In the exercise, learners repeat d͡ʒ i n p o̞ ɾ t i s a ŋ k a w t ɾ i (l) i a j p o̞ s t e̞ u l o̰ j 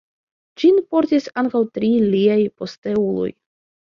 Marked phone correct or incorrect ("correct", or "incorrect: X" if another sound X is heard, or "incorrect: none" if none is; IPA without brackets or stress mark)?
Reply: correct